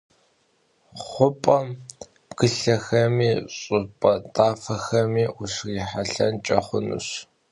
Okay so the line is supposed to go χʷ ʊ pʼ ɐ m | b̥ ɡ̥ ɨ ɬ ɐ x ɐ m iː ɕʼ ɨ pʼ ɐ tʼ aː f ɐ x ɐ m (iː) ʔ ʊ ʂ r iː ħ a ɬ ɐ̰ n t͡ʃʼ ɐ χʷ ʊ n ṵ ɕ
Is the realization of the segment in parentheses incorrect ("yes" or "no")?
no